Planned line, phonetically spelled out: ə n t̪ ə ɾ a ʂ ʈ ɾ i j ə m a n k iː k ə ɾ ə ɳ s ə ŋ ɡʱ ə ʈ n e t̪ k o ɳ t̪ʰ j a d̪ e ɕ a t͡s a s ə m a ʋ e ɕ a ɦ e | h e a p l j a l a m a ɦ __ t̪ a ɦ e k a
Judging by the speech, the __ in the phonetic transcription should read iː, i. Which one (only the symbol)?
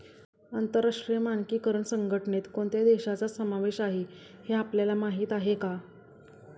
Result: iː